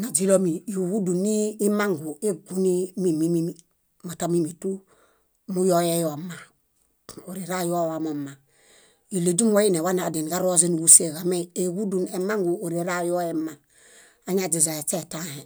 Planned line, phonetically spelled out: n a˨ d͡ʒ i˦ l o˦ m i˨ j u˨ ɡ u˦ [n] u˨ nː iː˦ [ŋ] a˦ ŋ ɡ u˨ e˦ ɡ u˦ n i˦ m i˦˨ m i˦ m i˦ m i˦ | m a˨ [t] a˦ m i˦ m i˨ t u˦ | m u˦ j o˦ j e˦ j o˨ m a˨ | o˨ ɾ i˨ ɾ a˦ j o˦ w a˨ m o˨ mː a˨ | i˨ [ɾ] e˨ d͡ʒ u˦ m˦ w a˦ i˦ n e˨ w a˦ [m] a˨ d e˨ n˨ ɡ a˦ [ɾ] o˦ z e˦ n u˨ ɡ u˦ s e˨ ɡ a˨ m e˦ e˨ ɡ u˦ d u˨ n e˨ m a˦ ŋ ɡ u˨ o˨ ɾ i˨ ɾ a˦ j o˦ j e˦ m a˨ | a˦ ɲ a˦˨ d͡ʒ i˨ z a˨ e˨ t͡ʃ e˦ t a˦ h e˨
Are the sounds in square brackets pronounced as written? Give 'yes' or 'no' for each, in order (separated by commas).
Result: no, no, yes, no, no, yes